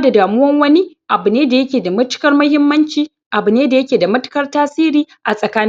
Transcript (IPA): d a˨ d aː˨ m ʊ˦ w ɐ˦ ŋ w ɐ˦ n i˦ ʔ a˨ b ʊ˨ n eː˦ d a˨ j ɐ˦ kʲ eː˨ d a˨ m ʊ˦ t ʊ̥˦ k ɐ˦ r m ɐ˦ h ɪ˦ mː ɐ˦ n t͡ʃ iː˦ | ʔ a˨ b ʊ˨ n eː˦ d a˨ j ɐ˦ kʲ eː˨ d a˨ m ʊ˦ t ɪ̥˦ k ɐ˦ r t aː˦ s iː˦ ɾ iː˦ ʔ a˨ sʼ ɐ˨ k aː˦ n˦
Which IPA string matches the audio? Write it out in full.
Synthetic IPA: d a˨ d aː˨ m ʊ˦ w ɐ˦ ŋ w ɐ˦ n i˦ ʔ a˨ b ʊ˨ n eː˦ d a˨ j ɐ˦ kʲ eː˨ d a˨ m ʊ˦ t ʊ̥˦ k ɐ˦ r m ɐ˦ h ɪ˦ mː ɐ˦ n t͡ʃ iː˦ | ʔ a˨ b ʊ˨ n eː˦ d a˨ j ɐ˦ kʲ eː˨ d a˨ m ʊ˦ t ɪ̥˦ k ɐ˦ r t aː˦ s iː˦ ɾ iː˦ ʔ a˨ sʼ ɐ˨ k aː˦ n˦